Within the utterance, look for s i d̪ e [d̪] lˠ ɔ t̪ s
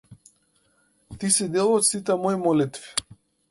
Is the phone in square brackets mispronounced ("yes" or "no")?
yes